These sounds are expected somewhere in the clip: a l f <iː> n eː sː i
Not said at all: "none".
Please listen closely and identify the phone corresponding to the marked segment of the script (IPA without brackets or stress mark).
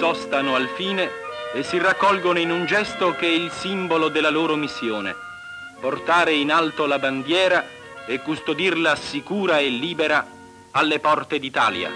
iː